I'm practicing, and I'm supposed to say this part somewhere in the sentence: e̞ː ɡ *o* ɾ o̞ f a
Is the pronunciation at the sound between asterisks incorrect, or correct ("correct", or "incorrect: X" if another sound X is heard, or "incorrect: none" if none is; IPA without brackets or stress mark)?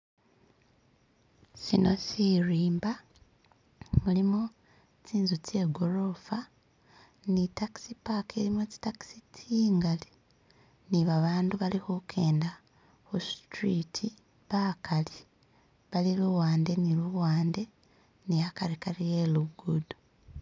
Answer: correct